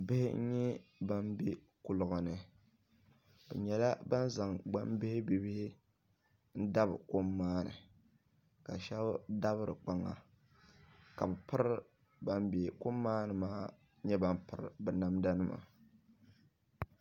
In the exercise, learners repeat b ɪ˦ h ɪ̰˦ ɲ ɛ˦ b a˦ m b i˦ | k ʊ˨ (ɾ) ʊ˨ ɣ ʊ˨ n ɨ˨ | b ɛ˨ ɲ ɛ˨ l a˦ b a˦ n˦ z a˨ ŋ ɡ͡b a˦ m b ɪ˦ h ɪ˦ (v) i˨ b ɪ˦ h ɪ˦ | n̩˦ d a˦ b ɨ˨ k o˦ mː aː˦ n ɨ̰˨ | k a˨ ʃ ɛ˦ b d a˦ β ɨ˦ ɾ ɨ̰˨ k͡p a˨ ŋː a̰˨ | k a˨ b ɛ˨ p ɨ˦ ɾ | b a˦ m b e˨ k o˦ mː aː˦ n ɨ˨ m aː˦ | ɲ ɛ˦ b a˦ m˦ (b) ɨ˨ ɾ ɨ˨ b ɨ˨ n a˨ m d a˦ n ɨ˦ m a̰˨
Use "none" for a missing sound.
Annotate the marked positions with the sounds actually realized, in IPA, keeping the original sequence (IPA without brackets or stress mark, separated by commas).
l, b, p